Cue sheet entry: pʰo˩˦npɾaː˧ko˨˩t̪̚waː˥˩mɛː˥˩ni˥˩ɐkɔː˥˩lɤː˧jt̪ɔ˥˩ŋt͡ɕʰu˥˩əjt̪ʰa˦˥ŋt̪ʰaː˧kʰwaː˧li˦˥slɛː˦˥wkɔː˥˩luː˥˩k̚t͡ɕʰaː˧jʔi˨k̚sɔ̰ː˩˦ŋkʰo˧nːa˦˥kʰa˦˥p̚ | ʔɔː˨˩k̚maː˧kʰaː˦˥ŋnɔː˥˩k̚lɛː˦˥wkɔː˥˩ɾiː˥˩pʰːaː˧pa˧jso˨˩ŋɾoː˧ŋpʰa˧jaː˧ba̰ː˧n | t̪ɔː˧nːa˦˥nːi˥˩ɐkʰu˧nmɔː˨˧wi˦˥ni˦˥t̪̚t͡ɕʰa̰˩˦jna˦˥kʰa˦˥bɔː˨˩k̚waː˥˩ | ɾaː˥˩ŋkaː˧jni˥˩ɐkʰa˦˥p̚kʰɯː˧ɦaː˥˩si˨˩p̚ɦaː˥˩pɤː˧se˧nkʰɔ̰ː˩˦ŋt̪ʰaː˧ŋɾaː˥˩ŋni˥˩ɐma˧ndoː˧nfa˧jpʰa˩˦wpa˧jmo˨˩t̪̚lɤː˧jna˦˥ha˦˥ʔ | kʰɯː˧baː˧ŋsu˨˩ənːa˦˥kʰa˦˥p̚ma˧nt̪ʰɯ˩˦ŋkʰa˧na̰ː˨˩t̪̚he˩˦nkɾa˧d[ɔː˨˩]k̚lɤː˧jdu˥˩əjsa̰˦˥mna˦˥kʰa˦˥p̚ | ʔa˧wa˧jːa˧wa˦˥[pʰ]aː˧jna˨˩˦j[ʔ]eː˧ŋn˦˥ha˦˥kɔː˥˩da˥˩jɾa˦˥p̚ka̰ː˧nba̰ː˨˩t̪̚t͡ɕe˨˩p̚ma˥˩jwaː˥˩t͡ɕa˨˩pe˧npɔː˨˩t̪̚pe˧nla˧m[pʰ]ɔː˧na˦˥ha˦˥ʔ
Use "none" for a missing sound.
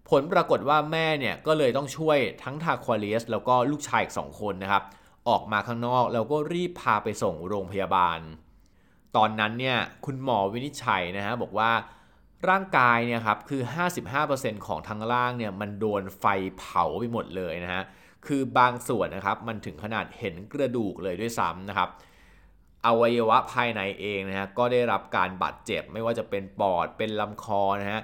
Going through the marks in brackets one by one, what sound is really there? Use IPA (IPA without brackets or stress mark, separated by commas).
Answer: uː˨˩, pʰ, ʔ, kʰ